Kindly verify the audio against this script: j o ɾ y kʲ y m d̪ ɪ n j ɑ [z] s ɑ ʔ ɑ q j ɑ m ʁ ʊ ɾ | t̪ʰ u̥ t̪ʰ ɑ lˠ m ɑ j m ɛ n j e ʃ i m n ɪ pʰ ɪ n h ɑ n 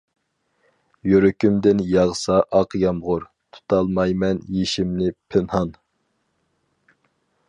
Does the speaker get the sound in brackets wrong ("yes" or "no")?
yes